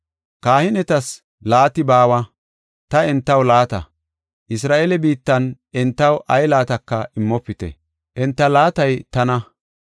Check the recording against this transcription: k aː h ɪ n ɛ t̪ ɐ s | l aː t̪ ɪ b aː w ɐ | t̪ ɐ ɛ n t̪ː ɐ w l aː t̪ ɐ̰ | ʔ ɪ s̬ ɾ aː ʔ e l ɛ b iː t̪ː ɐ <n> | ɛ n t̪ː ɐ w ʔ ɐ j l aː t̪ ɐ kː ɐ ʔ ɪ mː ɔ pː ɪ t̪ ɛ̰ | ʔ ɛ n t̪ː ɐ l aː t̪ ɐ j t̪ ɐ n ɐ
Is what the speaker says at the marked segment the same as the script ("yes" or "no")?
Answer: yes